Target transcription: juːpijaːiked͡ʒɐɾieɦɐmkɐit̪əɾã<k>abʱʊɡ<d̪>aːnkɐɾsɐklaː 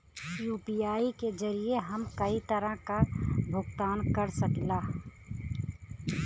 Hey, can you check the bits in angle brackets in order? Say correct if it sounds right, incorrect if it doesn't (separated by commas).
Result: correct, incorrect